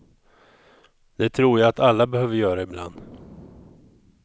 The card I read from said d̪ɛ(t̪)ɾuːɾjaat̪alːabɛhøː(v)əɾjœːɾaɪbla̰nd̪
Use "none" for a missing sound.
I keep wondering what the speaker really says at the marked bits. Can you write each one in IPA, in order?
t̪ʰ, v

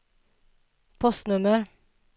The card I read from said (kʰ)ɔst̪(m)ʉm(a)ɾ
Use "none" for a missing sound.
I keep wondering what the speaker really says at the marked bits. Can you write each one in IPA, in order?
pʰ, n, ə

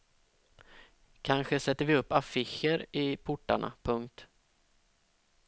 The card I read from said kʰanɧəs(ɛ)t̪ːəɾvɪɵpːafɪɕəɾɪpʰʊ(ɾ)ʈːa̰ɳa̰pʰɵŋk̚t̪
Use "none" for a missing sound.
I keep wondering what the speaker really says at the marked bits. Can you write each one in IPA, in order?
ɛ, none

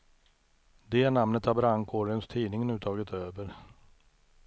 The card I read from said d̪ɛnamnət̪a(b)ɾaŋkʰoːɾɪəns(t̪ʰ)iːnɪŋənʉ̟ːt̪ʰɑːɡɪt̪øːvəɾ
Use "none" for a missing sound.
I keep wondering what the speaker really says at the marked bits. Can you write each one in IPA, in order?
b, t̪ʰ

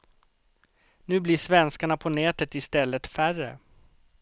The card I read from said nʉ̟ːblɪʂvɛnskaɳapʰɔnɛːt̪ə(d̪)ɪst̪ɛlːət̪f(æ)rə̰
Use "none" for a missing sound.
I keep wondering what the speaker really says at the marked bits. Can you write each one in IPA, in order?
t̪, æ

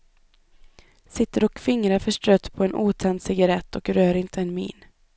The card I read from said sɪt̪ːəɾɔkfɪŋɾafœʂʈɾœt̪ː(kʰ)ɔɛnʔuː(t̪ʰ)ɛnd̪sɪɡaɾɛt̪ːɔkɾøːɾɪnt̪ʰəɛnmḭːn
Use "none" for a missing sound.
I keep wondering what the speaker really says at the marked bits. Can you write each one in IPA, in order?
pʰ, t̪ʰ

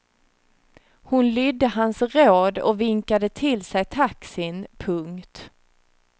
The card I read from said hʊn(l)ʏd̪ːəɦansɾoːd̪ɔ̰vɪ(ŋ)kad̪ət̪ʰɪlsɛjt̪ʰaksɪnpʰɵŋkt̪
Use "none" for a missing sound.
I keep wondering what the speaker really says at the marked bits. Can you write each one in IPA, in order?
l, ŋ

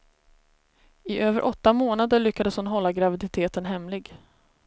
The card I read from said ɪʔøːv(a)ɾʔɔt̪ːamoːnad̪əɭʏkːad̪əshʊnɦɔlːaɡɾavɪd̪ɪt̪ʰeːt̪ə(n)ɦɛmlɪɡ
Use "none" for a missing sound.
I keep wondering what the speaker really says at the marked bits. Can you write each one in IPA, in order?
ə, n

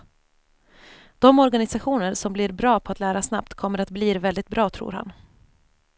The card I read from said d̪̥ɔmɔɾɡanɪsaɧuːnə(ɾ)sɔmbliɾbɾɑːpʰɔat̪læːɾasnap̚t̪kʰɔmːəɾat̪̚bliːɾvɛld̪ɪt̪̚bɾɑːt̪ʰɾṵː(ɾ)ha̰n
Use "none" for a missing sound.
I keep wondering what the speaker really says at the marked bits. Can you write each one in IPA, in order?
ɾ, ɾ

